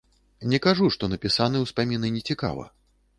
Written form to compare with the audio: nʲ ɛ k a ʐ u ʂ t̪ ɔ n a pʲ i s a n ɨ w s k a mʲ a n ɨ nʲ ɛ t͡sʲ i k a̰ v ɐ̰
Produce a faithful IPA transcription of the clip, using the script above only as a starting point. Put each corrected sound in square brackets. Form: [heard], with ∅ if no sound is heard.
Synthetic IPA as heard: nʲ ɛ k a ʐ u ʂ t̪ ɔ n [ɐ] pʲ i s a n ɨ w s [p] a mʲ [i] n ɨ nʲ ɛ t͡sʲ i k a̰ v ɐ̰

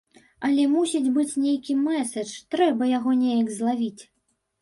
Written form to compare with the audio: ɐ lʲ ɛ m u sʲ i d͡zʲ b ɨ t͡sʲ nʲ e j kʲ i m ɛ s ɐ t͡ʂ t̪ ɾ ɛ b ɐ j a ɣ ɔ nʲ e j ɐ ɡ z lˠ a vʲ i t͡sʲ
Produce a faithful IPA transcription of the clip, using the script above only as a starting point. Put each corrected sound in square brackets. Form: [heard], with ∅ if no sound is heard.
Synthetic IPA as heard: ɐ lʲ ɛ m u sʲ i d͡zʲ b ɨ t͡sʲ nʲ e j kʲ i m ɛ s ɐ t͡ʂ t̪ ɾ ɛ b ɐ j a ɣ ɔ nʲ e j ɐ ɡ z lˠ a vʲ i t͡sʲ

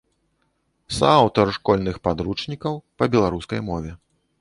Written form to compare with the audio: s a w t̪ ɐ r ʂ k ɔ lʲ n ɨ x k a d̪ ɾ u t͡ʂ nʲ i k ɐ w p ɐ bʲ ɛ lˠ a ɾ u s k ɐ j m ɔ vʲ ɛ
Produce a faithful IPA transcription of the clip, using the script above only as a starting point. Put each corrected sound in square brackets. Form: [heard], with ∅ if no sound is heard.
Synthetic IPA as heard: s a w t̪ ɐ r ʂ k ɔ lʲ n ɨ x [p] a d̪ ɾ u t͡ʂ nʲ i k ɐ w p ɐ bʲ ɛ lˠ a ɾ u s k ɐ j m ɔ vʲ ɛ

